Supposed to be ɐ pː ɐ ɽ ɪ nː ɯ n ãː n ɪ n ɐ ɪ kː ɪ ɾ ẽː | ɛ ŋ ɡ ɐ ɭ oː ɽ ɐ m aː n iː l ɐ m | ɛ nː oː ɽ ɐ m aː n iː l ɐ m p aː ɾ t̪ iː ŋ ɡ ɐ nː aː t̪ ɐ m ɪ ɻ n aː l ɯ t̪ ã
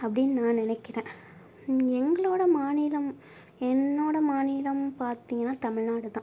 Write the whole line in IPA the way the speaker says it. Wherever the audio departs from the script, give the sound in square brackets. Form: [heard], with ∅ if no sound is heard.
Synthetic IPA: ɐ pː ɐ ɽ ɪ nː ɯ n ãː n ɪ n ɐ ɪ kː ɪ ɾ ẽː | ɛ ŋ ɡ ɐ ɭ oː ɽ ɐ m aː n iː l ɐ m | ɛ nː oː ɽ ɐ m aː n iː l ɐ m p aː ɾ t̪ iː ŋ ɡ ɐ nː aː t̪ ɐ m ɪ ɻ n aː [ɽ] ɯ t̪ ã